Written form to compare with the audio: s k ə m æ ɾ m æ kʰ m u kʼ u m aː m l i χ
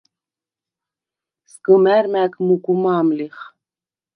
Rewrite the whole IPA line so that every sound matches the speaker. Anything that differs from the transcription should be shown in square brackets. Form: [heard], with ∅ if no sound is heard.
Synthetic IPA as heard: s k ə m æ ɾ m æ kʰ m u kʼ u m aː m l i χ